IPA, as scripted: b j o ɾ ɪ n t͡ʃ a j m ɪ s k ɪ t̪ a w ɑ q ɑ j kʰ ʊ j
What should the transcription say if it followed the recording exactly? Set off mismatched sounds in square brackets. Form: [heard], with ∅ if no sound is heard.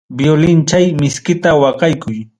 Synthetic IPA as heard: b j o [l] ɪ n t͡ʃ a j m ɪ s k ɪ t̪ a w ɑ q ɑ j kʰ ʊ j

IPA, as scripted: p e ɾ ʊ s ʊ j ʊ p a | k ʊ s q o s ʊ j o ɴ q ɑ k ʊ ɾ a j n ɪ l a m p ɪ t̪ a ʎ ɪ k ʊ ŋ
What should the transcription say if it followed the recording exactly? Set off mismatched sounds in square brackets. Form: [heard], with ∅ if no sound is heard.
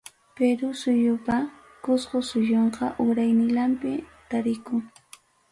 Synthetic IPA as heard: p e ɾ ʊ s ʊ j ʊ p a | k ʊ s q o s ʊ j o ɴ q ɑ [ʔ] ʊ ɾ a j n ɪ l a m p ɪ t̪ a [ɾ] ɪ k ʊ ŋ

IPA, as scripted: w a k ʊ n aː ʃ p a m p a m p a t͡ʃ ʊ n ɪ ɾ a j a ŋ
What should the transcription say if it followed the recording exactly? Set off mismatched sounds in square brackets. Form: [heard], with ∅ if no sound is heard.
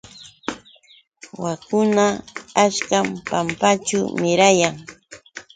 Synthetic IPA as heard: w a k ʊ n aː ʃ [k] a m p a m p a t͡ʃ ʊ [m] ɪ ɾ a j a ŋ

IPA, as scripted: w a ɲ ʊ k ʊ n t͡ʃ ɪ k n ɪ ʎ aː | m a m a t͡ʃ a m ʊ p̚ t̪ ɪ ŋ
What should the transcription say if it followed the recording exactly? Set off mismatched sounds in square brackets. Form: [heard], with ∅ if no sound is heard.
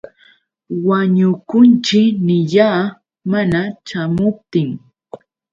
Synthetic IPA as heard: w a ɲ ʊ k ʊ n t͡ʃ ɪ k n ɪ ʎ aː | m a [n] a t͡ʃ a m ʊ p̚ t̪ ɪ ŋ

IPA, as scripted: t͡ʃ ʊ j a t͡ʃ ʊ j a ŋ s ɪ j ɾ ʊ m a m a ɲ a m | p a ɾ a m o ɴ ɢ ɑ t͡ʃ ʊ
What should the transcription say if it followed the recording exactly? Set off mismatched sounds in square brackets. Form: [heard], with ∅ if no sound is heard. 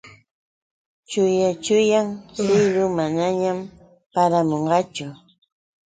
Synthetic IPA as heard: t͡ʃ ʊ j a t͡ʃ ʊ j a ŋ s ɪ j ɾ ʊ m a [n] a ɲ a m | p a ɾ a m o ɴ ɢ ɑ t͡ʃ ʊ

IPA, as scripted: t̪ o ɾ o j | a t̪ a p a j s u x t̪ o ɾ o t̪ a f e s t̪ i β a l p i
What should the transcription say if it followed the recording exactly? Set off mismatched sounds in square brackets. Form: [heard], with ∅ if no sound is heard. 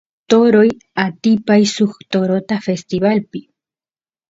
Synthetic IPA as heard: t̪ o ɾ o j | a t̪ [i] p a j s u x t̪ o ɾ o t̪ a f e s t̪ i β a l p i

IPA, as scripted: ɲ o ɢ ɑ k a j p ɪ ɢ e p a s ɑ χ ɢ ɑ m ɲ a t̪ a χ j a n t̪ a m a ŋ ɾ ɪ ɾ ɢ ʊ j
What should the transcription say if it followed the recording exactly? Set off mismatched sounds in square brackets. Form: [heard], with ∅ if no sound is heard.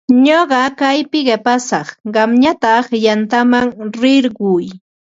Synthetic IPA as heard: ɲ o ɢ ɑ k a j p ɪ ɢ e p a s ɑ χ ɢ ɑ m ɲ a t̪ a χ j a n t̪ a m a ŋ ɾ ɪ ɾ ɢ ʊ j

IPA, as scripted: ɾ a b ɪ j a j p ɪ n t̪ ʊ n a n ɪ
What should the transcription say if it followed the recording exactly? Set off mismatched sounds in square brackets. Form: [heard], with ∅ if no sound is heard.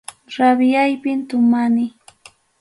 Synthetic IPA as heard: ɾ a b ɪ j a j p ɪ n t̪ ʊ [m] a n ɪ

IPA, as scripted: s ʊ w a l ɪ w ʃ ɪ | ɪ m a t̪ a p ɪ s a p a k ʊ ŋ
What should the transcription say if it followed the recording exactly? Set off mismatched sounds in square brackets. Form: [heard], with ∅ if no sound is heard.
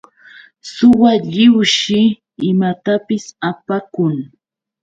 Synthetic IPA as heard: s ʊ w a [ʎ] ɪ w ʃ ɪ | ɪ m a t̪ a p ɪ s a p a k ʊ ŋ

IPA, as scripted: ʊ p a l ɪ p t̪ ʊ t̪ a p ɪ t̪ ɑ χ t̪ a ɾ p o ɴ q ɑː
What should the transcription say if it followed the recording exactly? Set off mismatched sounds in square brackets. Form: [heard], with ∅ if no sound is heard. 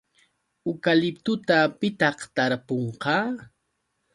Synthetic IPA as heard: ʊ [k] a l ɪ p t̪ ʊ t̪ a p ɪ t̪ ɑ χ t̪ a ɾ p o ɴ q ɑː

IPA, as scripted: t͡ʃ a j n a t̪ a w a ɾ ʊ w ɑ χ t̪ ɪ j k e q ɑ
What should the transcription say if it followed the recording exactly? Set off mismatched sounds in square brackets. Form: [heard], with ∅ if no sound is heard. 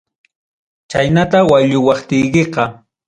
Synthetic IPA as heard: t͡ʃ a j n a t̪ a w a [ʎ] ʊ w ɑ χ t̪ ɪ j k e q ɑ

